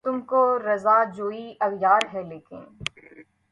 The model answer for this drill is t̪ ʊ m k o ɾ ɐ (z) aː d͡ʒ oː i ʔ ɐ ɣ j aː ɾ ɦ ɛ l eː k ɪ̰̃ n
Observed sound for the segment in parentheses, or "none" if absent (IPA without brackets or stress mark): z